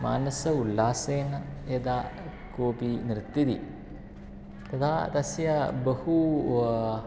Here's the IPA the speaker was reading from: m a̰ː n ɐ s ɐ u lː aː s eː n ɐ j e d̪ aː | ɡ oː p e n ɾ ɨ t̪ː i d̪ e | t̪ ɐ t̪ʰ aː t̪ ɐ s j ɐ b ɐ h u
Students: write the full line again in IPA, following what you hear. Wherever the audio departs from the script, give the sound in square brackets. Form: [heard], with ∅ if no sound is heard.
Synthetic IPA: m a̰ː n ɐ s ɐ u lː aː s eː n ɐ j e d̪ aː | [k] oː p [i] n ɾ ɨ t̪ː i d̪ [i] | t̪ ɐ t̪ʰ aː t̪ ɐ s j ɐ b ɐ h u